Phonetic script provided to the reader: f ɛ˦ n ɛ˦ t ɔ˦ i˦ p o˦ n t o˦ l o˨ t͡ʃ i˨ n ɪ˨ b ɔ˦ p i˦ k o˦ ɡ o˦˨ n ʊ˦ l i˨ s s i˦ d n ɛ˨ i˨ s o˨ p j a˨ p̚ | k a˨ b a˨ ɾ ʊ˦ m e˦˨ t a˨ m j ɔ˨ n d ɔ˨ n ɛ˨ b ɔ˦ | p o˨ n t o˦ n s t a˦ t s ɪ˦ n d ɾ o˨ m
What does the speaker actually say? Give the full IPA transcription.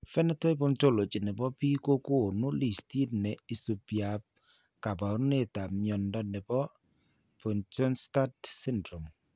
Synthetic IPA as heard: f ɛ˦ n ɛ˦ t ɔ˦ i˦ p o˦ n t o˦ l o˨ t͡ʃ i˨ n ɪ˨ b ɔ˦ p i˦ k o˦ k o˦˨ n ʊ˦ l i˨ s t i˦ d n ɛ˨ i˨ s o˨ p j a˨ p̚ | k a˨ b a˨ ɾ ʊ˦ n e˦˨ t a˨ m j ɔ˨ n d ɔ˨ n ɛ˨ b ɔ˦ | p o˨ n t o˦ n s t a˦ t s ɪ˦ n d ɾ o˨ m